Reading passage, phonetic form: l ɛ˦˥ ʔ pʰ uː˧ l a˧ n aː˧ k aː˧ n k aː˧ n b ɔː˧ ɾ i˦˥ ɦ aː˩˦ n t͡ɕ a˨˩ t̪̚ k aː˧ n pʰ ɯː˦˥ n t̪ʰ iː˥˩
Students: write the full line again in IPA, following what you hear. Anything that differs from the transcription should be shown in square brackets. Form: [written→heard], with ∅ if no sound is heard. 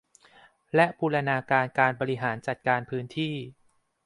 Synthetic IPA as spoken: l ɛ˦˥ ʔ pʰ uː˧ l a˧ n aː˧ k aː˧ n k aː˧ n b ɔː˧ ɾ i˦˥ ɦ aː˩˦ n t͡ɕ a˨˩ t̪̚ k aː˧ n pʰ ɯː˦˥ n t̪ʰ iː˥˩